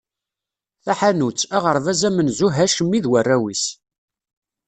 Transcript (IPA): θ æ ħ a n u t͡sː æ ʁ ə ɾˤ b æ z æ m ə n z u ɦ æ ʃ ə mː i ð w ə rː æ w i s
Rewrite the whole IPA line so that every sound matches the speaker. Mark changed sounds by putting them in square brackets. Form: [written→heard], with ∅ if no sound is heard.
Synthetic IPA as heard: θ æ ħ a n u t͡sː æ ʁ ə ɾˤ [b→v] æ z æ m ə n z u ɦ æ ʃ ə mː i ð w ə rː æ w i s